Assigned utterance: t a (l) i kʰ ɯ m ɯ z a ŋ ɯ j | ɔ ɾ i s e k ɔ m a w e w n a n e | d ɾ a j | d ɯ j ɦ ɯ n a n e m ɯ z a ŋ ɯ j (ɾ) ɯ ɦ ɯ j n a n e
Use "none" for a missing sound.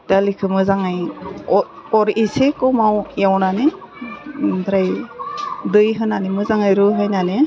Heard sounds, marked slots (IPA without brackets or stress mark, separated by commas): l, ɾ